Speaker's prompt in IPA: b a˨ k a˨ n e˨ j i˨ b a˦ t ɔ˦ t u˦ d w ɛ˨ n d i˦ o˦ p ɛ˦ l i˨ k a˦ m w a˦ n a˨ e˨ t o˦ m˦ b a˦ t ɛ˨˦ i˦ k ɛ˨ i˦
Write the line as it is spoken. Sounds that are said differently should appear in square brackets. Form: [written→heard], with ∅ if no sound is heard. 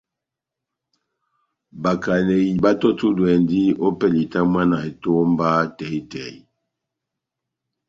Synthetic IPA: b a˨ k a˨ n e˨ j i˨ b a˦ t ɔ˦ t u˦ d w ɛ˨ n d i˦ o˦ p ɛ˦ l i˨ [k→t] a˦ m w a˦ n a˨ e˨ t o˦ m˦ b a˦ t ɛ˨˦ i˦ [k→t] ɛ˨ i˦